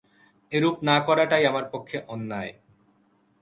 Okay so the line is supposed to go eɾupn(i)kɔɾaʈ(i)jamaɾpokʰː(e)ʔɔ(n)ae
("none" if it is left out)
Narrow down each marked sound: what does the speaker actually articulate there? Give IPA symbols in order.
a, a, e, nː

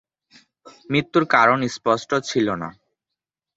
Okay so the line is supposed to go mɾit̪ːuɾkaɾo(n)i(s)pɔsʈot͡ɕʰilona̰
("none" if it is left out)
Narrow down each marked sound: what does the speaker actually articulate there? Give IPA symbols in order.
n, s

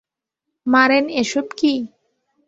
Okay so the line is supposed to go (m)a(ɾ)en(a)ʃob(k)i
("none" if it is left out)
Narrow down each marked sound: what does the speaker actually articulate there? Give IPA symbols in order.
m, ɾ, e, k

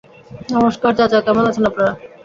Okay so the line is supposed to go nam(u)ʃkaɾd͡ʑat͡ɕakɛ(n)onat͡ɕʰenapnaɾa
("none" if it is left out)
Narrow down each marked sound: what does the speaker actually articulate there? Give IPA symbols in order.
o, m

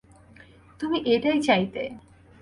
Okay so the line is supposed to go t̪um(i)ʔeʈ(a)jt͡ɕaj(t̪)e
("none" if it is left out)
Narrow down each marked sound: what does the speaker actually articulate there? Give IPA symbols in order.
i, a, t̪

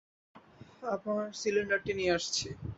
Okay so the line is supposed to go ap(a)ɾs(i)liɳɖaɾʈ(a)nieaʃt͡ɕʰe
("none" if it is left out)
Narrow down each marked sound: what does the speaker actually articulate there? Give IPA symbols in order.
a, i, i

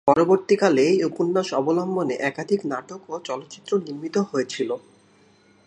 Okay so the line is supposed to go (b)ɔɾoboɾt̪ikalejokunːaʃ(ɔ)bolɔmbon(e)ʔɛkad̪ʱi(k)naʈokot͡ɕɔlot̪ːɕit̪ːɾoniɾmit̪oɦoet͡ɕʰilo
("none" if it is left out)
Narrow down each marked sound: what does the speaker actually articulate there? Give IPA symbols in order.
p, ɔ, e, k

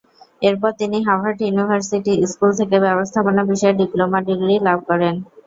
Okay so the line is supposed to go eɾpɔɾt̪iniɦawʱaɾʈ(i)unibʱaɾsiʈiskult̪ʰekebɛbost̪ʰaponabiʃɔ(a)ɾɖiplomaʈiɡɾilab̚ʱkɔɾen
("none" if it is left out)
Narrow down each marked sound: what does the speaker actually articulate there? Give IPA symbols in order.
j, e

